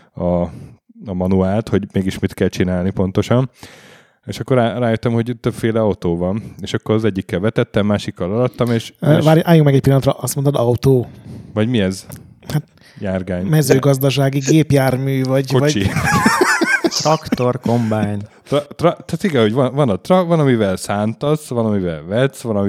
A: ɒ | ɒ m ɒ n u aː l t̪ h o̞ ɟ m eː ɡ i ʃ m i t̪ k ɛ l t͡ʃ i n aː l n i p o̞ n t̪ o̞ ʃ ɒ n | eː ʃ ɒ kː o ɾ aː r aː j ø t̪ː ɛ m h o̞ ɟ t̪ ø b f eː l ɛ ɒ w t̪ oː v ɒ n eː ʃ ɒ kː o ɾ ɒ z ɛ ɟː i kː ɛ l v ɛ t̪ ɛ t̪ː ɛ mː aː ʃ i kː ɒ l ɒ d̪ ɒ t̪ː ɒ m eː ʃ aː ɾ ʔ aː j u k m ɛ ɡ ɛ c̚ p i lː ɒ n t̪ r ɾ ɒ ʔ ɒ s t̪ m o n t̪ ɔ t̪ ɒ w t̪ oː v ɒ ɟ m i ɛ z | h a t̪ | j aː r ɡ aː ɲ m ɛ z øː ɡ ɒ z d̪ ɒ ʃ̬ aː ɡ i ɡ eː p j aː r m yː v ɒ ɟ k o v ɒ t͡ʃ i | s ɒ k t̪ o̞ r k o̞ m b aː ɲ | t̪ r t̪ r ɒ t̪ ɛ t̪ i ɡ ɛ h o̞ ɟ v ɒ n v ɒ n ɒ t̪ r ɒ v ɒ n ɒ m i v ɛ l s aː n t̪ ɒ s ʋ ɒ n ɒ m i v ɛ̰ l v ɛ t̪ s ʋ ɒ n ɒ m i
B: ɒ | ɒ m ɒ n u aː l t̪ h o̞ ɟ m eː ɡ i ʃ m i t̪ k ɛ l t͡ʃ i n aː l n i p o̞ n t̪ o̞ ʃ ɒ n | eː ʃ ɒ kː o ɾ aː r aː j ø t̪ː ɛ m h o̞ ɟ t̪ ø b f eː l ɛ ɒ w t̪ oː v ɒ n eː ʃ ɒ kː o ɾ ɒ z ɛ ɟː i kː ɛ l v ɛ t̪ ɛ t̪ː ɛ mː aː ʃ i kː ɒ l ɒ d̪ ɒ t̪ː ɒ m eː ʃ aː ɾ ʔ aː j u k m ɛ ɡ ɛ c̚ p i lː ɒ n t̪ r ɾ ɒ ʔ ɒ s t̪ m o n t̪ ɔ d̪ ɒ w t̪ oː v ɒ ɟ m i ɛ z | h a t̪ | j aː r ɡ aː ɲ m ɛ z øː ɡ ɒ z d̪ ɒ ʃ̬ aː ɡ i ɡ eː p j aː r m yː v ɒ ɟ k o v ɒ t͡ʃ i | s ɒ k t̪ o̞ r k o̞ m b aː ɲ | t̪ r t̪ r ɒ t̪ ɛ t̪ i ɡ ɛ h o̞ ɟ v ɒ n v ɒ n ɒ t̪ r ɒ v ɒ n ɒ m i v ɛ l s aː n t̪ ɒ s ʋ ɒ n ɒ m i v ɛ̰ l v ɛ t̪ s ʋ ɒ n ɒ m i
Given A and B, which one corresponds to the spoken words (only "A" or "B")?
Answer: B